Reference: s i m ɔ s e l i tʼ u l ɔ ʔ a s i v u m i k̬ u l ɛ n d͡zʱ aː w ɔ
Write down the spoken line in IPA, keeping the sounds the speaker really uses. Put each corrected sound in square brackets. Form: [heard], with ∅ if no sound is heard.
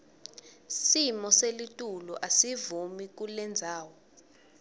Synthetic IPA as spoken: s i m ɔ s e l i tʼ u l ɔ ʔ a s i v u m i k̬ u l ɛ n d͡zʱ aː w ɔ